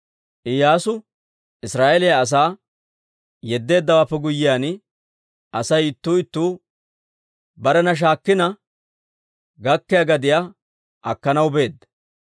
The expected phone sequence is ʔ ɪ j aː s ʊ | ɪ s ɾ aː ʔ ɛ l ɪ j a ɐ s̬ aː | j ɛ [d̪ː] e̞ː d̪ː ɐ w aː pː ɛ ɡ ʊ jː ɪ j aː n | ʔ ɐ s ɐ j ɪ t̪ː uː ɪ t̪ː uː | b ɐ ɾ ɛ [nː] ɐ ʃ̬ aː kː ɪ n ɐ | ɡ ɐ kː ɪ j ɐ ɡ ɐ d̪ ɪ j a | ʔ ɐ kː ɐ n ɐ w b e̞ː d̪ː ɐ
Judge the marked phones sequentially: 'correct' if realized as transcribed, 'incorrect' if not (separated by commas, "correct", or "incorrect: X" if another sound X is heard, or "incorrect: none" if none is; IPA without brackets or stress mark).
correct, incorrect: n